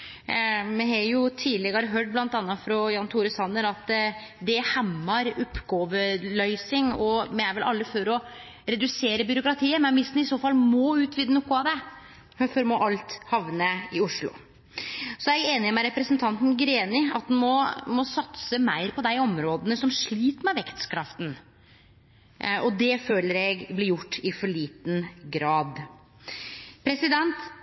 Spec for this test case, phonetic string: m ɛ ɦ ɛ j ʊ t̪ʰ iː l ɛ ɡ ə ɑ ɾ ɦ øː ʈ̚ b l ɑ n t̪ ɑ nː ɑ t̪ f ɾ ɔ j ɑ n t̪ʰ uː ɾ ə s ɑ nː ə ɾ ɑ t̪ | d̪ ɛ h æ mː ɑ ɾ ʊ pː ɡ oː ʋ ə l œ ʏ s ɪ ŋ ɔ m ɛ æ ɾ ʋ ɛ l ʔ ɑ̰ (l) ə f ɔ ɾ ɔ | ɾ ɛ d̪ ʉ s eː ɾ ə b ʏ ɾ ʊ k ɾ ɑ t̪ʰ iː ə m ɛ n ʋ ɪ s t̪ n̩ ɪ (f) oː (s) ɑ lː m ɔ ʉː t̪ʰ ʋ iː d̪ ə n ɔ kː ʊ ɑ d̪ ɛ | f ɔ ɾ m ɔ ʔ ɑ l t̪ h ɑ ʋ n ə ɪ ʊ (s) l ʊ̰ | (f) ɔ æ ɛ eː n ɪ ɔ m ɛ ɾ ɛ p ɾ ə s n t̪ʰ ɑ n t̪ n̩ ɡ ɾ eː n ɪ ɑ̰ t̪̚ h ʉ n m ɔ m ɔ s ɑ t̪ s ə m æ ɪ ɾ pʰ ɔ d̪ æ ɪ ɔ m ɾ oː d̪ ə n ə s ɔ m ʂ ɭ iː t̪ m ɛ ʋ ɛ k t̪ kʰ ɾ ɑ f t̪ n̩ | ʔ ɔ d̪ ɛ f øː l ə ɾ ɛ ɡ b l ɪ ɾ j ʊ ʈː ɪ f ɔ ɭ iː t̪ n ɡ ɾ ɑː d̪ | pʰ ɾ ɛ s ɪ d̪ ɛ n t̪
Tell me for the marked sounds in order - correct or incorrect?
incorrect: lː, incorrect: s, incorrect: f, incorrect: ʂ, incorrect: s

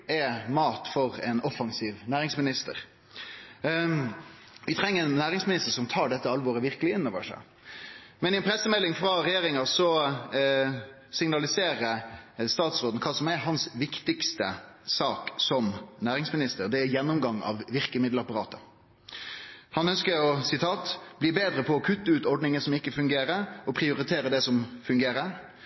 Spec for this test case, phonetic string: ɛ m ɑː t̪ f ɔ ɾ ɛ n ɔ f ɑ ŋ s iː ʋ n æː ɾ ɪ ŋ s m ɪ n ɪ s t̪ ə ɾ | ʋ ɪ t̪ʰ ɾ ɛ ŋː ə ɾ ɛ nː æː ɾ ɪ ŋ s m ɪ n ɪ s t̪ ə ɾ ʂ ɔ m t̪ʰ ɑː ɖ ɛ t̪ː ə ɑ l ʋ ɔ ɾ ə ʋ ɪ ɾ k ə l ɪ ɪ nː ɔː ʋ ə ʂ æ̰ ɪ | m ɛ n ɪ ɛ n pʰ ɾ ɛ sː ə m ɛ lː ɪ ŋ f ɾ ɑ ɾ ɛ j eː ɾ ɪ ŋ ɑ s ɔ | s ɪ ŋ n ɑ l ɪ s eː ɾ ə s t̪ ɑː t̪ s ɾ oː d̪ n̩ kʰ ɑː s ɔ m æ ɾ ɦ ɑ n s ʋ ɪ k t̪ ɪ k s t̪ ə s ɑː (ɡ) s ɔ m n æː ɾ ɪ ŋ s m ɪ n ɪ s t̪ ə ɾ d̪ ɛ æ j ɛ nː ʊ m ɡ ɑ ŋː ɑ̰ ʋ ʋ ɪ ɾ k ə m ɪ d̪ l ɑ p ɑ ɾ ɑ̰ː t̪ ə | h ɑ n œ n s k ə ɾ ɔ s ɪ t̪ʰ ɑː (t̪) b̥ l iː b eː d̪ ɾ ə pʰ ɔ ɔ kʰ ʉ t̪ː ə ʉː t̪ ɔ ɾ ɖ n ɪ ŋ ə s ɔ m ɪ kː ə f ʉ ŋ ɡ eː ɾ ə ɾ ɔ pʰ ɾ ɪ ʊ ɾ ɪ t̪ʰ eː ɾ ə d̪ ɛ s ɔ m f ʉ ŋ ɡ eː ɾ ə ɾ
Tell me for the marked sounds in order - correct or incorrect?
incorrect: k, correct

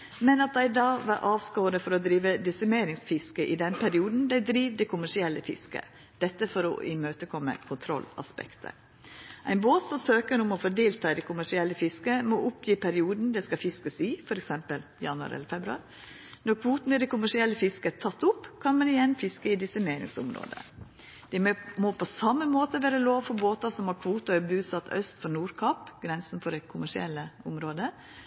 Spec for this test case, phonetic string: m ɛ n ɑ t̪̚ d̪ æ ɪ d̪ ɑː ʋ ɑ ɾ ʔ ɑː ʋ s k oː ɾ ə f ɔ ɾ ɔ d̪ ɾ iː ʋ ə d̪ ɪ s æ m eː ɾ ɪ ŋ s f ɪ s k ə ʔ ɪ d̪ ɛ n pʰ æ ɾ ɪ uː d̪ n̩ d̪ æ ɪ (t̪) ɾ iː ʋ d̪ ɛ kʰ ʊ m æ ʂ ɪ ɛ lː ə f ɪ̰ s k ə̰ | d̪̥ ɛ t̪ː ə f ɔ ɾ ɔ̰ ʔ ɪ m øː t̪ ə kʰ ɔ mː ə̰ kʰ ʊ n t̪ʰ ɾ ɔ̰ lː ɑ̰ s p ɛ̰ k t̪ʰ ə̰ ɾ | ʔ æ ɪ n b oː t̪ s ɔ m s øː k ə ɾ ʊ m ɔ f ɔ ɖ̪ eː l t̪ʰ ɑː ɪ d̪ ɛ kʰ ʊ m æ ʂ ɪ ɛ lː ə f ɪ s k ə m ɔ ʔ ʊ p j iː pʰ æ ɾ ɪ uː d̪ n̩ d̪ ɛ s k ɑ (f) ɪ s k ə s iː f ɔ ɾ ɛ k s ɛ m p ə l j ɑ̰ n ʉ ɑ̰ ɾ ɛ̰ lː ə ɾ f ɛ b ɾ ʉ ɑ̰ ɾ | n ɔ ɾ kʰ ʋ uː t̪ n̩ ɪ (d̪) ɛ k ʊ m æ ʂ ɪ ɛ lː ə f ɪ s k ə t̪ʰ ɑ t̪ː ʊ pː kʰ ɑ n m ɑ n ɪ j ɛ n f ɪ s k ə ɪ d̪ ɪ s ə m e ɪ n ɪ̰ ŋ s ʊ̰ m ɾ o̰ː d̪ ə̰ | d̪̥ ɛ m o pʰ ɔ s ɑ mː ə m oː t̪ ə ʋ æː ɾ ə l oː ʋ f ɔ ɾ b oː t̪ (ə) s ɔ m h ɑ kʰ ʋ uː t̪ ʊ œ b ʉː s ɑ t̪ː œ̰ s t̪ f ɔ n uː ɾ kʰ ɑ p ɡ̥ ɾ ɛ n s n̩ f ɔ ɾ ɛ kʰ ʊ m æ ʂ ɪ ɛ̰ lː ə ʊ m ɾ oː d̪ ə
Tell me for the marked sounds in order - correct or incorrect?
incorrect: d̪, correct, correct, incorrect: ɑ

